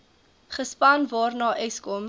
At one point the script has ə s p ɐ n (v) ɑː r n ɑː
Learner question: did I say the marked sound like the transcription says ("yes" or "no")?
yes